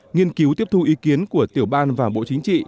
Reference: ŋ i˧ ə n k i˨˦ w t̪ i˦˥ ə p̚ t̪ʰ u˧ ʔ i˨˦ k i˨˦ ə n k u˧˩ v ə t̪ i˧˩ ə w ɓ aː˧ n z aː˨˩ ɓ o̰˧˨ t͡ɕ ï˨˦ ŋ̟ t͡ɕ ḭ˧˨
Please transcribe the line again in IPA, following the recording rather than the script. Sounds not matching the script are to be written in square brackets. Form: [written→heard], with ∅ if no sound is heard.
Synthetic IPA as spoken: ŋ i˧ ə n k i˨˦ w t̪ i˦˥ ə p̚ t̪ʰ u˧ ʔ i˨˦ k i˨˦ ə n k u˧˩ [v→∅] ə t̪ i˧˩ ə w ɓ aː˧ n [z→v] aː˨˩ ɓ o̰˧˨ t͡ɕ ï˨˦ ŋ̟ t͡ɕ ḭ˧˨